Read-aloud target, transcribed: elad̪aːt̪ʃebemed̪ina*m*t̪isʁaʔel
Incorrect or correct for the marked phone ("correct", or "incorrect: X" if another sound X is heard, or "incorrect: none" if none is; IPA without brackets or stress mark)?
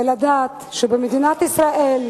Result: incorrect: none